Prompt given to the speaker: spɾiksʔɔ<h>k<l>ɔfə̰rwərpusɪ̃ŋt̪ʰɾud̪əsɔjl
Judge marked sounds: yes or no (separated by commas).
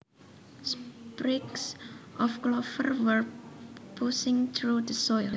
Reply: no, yes